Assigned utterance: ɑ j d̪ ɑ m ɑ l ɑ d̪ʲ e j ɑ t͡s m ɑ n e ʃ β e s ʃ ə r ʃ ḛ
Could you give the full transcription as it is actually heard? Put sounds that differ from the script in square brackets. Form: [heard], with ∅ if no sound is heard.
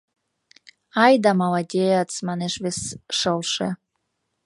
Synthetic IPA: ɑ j d̪ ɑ m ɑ l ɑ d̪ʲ e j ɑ t͡s m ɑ n e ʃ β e s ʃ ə [l] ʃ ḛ